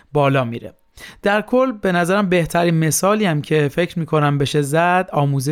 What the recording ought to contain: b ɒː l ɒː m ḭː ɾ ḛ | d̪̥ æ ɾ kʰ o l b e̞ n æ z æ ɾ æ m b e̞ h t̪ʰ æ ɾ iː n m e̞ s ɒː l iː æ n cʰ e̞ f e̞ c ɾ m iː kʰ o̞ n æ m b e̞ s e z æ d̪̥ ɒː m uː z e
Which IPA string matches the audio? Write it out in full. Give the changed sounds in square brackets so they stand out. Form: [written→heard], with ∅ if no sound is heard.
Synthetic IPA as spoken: b ɒː l ɒː m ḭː ɾ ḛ | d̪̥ æ ɾ kʰ o l b e̞ n æ z æ ɾ æ m b e̞ h t̪ʰ æ ɾ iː n m e̞ s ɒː l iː æ [n→m] cʰ e̞ f e̞ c ɾ m iː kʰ o̞ n æ m b e̞ [s→ʃ] e z æ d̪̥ ɒː m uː z e